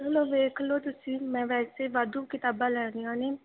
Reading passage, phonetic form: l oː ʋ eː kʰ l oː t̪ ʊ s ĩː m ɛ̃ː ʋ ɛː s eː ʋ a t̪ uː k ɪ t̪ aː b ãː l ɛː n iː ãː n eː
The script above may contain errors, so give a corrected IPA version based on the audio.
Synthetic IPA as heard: l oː ʋ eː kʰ l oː t̪ ʊ s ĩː m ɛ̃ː ʋ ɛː s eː ʋ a d̪ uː k ɪ t̪ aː b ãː l ɛː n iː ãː n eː